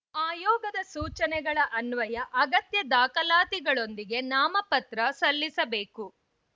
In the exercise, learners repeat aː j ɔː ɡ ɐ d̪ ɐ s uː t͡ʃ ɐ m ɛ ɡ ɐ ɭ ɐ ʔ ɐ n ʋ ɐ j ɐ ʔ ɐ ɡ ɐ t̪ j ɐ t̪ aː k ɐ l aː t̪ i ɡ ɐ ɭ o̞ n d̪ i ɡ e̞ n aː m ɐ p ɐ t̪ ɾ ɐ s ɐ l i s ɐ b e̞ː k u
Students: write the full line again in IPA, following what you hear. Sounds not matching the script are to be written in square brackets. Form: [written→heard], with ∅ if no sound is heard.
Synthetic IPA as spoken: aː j ɔː ɡ ɐ d̪ ɐ s uː t͡ʃ ɐ [m→n] ɛ ɡ ɐ ɭ ɐ ʔ ɐ n ʋ ɐ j ɐ ʔ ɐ ɡ ɐ t̪ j ɐ [t̪→d̪] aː k ɐ l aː t̪ i ɡ ɐ ɭ o̞ n d̪ i ɡ e̞ n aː m ɐ p ɐ t̪ ɾ ɐ s ɐ [l→lː] i s ɐ b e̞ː k u